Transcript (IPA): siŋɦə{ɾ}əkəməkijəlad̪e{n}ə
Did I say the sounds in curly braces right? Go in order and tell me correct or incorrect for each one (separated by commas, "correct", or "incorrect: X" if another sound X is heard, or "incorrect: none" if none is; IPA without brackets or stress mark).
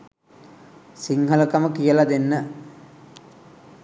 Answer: incorrect: l, incorrect: nː